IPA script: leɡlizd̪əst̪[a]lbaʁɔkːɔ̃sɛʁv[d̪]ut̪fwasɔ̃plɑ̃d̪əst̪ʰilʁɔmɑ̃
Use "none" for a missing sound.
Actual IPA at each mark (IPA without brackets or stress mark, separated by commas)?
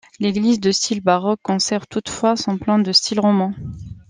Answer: i, t̪